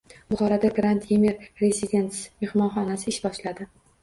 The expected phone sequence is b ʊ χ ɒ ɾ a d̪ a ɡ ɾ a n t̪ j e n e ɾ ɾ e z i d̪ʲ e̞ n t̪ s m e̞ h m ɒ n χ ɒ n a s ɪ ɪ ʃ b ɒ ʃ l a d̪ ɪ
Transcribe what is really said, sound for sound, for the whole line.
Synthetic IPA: b ʊ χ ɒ ɾ a d̪ a ɡ ɾ a n t̪ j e m e ɾ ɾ e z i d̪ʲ e̞ n t̪ s m e̞ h m ɒ n χ ɒ n a s ɪ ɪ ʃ b ɒ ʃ l a d̪ ɪ